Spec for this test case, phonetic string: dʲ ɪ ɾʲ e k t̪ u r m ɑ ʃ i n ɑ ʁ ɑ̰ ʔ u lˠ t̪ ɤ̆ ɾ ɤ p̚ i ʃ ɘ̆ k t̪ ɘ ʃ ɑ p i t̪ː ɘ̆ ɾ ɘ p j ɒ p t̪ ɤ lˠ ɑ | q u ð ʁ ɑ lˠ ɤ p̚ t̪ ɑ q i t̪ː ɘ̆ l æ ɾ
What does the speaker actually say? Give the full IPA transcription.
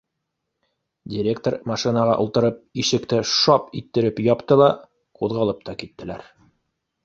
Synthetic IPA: dʲ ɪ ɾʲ e k t̪ o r m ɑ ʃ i n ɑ ʁ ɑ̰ ʔ u lˠ t̪ ɤ̆ ɾ ɤ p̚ i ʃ ɘ̆ k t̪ ɘ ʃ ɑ p i t̪ː ɘ̆ ɾ ɘ p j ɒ p t̪ ɤ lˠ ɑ | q u ð ʁ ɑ lˠ ɤ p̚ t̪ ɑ k i t̪ː ɘ̆ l æ ɾ